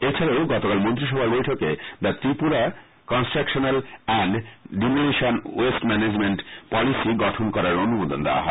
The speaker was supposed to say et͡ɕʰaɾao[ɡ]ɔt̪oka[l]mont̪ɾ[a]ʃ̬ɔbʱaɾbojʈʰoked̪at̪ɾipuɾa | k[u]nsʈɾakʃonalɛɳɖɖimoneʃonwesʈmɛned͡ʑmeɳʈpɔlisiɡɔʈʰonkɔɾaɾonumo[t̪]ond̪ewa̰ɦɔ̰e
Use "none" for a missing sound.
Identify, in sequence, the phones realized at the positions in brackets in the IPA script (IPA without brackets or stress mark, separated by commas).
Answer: ɡ, l, i, ɔ, d̪